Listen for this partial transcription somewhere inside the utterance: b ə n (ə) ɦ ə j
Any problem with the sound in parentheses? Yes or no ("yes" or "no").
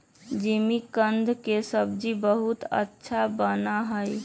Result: yes